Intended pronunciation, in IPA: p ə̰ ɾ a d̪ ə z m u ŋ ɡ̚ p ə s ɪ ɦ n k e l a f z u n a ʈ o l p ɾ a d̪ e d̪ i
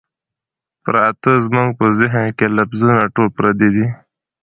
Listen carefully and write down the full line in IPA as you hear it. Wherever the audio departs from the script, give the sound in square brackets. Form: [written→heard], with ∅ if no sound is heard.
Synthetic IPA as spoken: p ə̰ ɾ a [d̪→t̪] ə z m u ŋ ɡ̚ p ə [s→z] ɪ ɦ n k e l a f z u n a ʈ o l p ɾ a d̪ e d̪ i